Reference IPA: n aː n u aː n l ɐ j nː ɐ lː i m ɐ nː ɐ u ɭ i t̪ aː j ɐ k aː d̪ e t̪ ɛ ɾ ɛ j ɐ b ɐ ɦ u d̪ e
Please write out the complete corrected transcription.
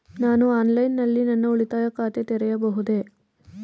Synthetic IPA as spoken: n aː n u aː n l ɐ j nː ɐ lː i n ɐ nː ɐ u ɭ i t̪ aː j ɐ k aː t̪ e t̪ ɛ ɾ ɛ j ɐ b ɐ ɦ u d̪ e